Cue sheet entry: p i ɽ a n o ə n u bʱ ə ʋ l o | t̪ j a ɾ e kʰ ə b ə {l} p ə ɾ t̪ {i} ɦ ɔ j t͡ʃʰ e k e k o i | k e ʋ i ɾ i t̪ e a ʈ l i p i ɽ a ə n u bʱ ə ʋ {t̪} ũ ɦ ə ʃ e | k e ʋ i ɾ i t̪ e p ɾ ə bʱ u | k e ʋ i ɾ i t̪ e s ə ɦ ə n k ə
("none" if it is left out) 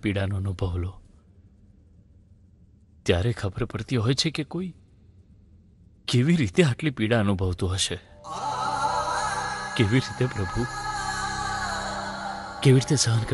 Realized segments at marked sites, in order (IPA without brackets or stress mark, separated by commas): ɾ, i, t̪